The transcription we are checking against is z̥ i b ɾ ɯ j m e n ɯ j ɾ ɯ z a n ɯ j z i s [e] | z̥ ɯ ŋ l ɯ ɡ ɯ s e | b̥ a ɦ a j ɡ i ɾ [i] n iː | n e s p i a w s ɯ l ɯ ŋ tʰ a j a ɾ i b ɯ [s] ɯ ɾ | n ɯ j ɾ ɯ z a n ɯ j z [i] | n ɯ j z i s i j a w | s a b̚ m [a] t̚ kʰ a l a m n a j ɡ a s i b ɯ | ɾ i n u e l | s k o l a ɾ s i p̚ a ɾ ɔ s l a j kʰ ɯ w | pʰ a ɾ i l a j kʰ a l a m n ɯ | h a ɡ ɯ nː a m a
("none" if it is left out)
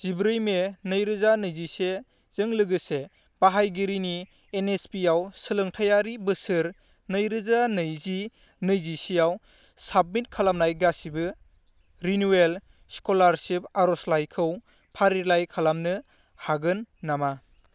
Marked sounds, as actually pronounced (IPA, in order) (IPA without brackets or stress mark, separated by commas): e, i, s, i, i